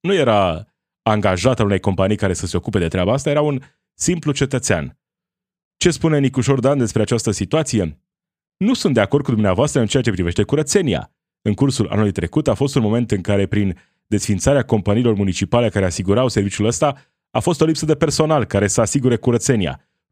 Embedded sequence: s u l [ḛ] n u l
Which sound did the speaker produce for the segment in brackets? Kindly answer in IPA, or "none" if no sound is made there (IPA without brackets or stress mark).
a̰